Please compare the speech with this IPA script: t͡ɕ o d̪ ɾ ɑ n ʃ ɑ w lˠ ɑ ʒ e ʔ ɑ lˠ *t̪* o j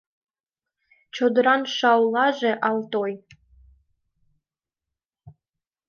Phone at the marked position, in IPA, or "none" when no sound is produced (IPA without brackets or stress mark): t̪